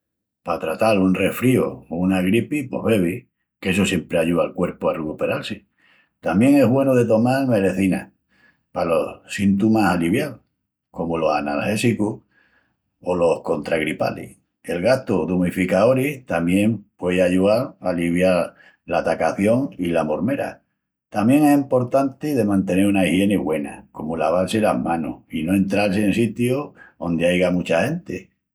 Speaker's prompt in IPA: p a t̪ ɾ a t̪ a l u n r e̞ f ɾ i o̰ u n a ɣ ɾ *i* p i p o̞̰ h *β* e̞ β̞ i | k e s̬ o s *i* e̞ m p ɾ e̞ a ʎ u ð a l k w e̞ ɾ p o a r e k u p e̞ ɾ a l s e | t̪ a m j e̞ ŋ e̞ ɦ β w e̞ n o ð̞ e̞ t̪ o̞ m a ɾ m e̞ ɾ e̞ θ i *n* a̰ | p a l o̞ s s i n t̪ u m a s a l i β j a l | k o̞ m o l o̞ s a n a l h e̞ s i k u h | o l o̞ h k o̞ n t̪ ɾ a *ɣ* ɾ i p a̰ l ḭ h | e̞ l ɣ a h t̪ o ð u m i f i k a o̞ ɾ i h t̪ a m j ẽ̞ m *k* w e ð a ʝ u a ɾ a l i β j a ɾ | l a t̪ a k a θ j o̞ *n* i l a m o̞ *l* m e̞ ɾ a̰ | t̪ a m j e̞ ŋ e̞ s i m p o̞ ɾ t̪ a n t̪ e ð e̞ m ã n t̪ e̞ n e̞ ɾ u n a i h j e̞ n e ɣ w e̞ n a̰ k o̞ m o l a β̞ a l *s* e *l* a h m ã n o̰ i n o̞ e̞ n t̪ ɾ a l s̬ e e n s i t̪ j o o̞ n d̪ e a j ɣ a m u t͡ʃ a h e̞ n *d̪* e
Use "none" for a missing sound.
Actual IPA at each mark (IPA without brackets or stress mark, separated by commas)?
i, β, j, n, ɣ, p, ŋ, ɾ, s, l, t̪